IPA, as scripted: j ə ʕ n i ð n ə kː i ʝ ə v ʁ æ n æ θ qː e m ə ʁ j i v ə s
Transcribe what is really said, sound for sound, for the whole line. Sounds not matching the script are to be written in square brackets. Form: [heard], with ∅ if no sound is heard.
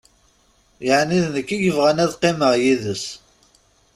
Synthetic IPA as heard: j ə ʕ n i ð n ə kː i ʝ ə v ʁ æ n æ [ð] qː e m ə ʁ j i [ð] ə s